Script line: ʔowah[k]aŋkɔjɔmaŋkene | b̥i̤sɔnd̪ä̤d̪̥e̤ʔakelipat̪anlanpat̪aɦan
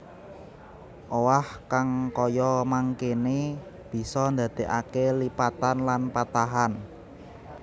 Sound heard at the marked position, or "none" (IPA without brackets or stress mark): k